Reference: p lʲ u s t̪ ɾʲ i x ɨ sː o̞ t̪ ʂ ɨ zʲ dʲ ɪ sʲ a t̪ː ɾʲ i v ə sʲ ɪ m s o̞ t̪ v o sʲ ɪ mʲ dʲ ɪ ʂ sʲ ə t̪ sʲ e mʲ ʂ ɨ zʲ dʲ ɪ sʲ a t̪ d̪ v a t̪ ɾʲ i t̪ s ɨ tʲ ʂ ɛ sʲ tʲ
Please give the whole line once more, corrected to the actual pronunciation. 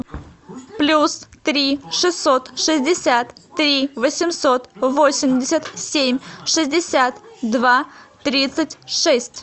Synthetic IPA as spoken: p lʲ u s t̪ ɾʲ i ʂ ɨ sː o̞ t̪ ʂ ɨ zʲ dʲ ɪ sʲ a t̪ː ɾʲ i v ə sʲ ɪ m s o̞ t̪ v o sʲ ɪ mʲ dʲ ɪ sʲ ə t̪ sʲ e mʲ ʂ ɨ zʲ dʲ ɪ sʲ a t̪ d̪ v a t̪ ɾʲ i t̪ s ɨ tʲ ʂ ɛ sʲ tʲ

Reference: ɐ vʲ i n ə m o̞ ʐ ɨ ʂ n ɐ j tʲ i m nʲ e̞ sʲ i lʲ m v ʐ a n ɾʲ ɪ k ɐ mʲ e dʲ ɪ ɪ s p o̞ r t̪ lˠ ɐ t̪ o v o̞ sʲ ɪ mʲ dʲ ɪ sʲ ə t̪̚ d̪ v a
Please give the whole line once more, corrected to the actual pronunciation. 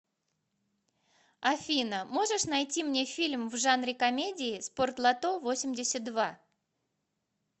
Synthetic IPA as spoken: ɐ fʲ i n ə m o̞ ʐ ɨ ʂ n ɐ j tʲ i m nʲ e̞ fʲ i lʲ m v ʐ a n ɾʲ ɪ k ɐ mʲ e dʲ ɪ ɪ s p o̞ r t̪ lˠ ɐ t̪ o v o̞ sʲ ɪ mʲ dʲ ɪ sʲ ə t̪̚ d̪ v a

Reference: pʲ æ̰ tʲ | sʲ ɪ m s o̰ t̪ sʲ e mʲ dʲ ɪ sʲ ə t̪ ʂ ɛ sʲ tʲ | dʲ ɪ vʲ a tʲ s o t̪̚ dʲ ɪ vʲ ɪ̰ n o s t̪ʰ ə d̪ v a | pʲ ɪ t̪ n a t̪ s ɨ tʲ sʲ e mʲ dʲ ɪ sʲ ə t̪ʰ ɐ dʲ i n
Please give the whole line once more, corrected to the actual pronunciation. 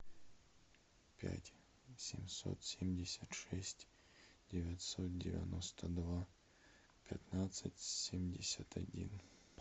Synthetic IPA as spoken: pʲ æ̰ tʲ | sʲ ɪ m s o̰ t̪ sʲ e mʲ dʲ ɪ sʲ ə t̪ ʂ ɛ sʲ tʲ | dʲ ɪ vʲ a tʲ s o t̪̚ dʲ ɪ vʲ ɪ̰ n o s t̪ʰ ə d̪ v a | pʲ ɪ t̪ n a t̪ s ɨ tʲ sʲ e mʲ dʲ ɪ sʲ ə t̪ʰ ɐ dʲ i n

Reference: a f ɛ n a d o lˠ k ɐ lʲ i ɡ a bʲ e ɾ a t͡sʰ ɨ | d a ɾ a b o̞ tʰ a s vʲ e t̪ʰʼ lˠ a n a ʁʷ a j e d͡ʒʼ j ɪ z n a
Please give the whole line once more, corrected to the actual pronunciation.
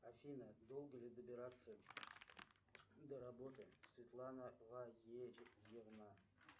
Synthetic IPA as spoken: a f i n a d o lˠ ɡ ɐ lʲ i d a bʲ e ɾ a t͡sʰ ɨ | d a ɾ a b o̞ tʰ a s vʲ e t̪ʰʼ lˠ a n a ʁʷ a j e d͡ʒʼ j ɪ ʁ n a

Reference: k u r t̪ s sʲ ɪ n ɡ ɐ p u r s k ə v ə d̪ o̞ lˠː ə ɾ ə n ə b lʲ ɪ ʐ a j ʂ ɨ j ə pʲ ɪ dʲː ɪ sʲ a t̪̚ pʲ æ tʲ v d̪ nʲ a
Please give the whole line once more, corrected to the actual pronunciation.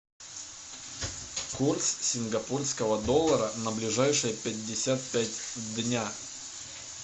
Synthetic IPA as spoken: k u r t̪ s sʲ ɪ n ɡ ɐ p u r s k ə v ə d̪ o̞ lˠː ə ɾ ə n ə b lʲ ɪ ʐ a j ʂ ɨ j ə pʲ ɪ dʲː ɪ sʲ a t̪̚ pʲ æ tʲ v d̪ nʲ a

